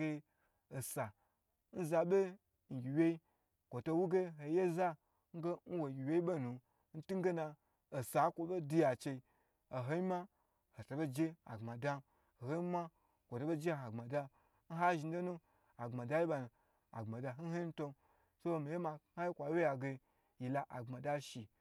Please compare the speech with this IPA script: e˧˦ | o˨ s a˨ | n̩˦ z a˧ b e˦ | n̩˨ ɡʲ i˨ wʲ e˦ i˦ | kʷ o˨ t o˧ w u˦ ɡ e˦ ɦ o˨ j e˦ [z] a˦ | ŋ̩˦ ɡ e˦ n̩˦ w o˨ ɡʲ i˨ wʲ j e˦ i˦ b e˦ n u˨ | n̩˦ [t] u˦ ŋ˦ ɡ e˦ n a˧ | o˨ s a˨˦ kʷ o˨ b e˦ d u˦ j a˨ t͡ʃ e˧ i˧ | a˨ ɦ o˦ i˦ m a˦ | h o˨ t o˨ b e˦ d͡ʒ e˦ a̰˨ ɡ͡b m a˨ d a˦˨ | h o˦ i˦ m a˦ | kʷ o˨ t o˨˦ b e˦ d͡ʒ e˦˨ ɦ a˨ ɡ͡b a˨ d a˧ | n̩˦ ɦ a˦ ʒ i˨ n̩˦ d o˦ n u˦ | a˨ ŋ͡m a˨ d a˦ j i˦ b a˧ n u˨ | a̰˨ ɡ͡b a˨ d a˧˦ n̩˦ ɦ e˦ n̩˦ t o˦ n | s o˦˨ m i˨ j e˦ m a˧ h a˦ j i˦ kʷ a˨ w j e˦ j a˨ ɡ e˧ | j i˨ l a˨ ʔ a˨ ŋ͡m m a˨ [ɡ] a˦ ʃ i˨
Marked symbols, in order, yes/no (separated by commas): yes, yes, no